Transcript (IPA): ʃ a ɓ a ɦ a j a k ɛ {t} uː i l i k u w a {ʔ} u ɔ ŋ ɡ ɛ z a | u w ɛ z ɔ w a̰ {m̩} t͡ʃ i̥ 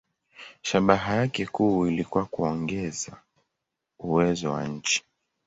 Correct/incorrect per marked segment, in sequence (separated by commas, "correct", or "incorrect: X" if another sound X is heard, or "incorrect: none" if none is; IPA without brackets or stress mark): incorrect: k, incorrect: k, incorrect: ɲ̩